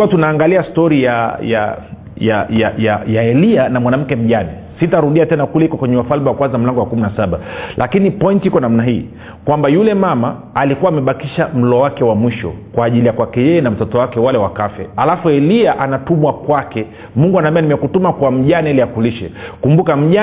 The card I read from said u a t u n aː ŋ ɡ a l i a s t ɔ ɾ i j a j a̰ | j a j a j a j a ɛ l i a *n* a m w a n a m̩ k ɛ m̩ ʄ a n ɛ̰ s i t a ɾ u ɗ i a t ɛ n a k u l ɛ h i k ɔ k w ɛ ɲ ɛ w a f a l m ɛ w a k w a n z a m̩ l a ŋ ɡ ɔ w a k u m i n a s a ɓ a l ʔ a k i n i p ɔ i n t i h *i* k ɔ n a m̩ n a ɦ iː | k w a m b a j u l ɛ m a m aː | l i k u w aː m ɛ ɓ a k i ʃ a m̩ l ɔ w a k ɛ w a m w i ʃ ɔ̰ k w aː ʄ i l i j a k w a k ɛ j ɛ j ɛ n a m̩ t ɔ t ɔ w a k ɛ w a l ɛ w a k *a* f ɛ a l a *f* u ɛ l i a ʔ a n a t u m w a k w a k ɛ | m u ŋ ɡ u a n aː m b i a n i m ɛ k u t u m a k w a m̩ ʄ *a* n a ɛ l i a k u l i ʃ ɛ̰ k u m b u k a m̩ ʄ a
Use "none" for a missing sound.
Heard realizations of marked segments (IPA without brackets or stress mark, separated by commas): n, i, a, f, a